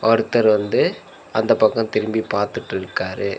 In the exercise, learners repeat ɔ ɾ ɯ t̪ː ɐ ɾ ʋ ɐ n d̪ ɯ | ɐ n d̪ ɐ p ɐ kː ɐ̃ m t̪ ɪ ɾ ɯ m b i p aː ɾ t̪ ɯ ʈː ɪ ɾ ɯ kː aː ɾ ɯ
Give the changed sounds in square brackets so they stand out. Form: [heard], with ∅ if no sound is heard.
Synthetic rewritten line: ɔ ɾ ɯ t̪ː ɐ ɾ ʋ ɐ n d̪ ɯ | ɐ n d̪ ɐ p ɐ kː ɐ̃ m t̪ ɪ ɾ ɯ m b i p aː ɾ t̪ ɯ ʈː ɪ ɾ ɯ kː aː ɾ ɯ